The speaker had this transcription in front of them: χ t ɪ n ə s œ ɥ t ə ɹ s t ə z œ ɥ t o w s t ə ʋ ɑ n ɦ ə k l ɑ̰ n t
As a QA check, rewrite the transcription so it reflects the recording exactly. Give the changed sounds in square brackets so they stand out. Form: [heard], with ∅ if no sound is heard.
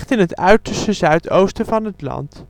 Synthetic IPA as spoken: χ t ɪ n ə [t] œ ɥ t ə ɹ s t ə z œ ɥ t o w s t ə [v] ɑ n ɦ ə [t] l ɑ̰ n t